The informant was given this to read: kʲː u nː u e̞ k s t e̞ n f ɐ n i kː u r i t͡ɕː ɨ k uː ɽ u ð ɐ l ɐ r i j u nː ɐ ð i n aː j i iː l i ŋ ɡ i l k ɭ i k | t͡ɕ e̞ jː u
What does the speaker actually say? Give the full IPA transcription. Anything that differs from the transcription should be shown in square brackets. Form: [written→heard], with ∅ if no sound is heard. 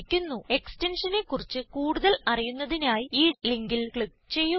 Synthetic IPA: kʲː u nː u e̞ k s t e̞ n [f→ʂ] ɐ n [i→e] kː u r i t͡ɕː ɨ k uː ɽ u ð ɐ l ɐ r i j u nː ɐ ð i n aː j i iː l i ŋ ɡ i l k ɭ i k | t͡ɕ e̞ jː u